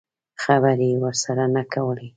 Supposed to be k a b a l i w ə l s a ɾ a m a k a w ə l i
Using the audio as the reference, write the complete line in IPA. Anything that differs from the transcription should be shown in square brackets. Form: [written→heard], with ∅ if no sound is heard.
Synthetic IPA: [k→x] a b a [l→ɾ] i w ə [l→ɾ] s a ɾ a [m→n] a k a w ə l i